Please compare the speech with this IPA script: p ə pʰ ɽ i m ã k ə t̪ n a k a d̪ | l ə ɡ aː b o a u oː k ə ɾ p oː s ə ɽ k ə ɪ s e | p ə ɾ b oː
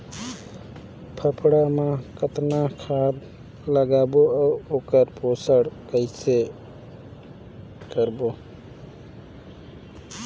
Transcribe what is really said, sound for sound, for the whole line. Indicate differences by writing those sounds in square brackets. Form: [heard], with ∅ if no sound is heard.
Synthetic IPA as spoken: [pʰ] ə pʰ ɽ [a] m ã k ə t̪ n a [kʰ] a d̪ | l ə ɡ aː b o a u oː k ə ɾ p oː s ə ɽ k ə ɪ s e | [k] ə ɾ b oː